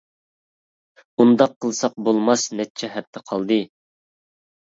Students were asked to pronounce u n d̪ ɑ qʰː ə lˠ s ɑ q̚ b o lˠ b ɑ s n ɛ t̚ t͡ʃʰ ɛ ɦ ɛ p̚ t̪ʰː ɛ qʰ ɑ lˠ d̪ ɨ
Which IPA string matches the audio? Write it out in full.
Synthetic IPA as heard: u n d̪ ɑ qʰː ə lˠ s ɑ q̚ b o lˠ m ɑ s n ɛ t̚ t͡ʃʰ ɛ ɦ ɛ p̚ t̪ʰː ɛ qʰ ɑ lˠ d̪ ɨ

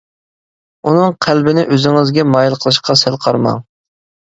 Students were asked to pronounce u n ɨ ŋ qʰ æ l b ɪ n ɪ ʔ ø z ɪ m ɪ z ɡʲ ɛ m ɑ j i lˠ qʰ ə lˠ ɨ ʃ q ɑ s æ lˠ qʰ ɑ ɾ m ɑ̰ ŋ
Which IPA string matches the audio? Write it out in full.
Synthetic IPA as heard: u n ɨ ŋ qʰ æ l b ɪ n ɪ ʔ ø z ɪ ŋ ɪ z ɡʲ ɛ m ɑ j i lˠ qʰ ə lˠ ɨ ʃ q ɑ s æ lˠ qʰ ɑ ɾ m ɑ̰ ŋ

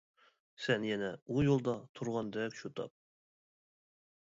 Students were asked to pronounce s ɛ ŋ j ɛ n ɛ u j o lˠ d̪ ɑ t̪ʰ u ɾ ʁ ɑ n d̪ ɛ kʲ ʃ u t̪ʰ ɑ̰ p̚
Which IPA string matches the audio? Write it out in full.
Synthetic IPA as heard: s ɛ n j ɛ n ɛ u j o lˠ d̪ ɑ t̪ʰ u ɾ ʁ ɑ n d̪ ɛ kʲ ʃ u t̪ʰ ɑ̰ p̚

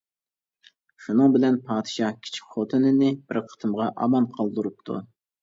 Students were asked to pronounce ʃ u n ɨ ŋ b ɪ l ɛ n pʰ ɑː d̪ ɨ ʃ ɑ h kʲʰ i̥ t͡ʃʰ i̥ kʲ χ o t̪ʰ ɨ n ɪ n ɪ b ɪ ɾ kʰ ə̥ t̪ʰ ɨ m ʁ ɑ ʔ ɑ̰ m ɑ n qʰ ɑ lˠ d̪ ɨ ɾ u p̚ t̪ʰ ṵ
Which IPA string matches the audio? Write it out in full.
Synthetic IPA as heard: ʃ u n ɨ ŋ b ɪ l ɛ n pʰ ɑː d̪ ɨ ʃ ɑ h kʲʰ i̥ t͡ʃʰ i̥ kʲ χ o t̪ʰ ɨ n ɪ n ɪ b ɪ ɾ qʰ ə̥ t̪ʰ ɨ m ʁ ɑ ʔ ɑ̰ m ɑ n qʰ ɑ lˠ d̪ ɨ ɾ u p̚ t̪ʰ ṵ

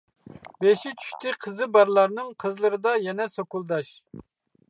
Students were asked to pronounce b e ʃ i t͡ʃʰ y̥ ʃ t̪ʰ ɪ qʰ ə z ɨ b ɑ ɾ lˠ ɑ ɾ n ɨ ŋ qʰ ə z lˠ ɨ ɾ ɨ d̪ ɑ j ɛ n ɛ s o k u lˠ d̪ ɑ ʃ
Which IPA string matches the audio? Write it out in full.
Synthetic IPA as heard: b e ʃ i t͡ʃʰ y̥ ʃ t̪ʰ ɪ qʰ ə z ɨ b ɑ ɾ lˠ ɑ ɾ n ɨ ŋ qʰ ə z lˠ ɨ ɾ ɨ d̪ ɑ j ɛ n ɛ s o k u lˠ d̪ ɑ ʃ

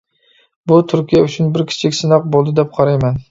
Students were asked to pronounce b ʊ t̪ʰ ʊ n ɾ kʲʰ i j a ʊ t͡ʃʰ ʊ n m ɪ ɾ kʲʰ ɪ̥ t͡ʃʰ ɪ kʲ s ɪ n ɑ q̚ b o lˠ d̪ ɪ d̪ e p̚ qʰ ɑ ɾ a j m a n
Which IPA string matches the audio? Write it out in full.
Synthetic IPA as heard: b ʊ t̪ʰ ʊ ɾ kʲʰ i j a ʊ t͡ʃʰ ʊ n b ɪ ɾ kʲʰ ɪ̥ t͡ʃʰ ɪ kʲ s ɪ n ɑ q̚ b o lˠ d̪ ɪ d̪ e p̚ qʰ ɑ ɾ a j m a n

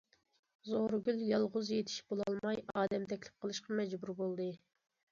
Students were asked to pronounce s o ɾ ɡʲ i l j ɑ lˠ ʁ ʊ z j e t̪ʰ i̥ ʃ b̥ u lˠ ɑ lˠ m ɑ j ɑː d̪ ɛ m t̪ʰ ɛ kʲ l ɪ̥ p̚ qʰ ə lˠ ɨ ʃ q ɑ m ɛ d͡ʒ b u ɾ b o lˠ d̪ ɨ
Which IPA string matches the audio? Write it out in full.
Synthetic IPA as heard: z o ɾ ɡʲ y l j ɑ lˠ ʁ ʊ z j e t̪ʰ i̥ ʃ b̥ o lˠ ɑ lˠ m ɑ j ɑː d̪ ɛ m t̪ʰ ɛ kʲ l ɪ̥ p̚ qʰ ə lˠ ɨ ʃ q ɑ m ɛ d͡ʒ b u ɾ b o lˠ d̪ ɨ

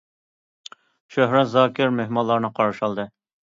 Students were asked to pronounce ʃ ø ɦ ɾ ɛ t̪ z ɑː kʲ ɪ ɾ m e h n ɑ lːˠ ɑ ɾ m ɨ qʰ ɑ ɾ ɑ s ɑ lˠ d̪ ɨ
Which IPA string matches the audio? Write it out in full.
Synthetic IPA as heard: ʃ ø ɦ ɾ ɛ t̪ z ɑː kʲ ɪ ɾ m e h m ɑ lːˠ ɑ ɾ n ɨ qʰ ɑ ɾ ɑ ʃ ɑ lˠ d̪ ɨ

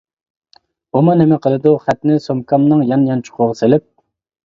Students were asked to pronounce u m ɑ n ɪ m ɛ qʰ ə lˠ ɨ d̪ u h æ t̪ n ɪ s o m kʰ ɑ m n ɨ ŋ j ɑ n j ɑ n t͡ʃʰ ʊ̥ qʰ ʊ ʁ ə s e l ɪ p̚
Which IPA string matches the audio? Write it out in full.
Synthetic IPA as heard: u m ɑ n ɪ m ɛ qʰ ə lˠ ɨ d̪ u χ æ t̪ n ɪ s o m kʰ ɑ m n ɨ ŋ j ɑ n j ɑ n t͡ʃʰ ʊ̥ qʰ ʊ ʁ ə s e l ɪ p̚

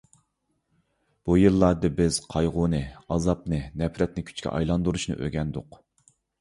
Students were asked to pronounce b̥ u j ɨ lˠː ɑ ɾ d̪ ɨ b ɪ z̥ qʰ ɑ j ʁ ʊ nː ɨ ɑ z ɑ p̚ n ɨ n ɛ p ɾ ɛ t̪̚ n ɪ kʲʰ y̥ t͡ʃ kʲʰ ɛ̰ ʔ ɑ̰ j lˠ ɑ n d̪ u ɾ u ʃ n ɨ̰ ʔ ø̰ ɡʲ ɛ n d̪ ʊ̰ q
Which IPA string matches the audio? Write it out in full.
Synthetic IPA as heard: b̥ u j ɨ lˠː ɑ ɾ d̪ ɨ b ɪ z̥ qʰ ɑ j ʁ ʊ n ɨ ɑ z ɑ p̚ n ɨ n ɛ p ɾ ɛ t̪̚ n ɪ kʲʰ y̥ t͡ʃ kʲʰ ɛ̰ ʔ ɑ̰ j lˠ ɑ n d̪ u ɾ u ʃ n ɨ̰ ʔ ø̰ ɡʲ ɛ n d̪ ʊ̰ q

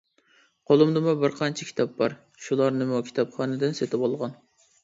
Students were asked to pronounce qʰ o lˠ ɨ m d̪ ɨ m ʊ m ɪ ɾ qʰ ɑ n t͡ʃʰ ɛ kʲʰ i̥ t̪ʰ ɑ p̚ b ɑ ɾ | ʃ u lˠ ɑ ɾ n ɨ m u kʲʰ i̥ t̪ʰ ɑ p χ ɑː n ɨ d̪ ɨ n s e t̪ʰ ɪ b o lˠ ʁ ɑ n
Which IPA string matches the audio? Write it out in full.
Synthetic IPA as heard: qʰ o lˠ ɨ m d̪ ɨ m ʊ b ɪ ɾ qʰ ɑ n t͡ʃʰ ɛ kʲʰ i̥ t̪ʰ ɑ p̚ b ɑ ɾ | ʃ u lˠ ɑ ɾ n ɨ m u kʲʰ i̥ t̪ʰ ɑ p χ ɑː n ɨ d̪ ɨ n s e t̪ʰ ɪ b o lˠ ʁ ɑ n

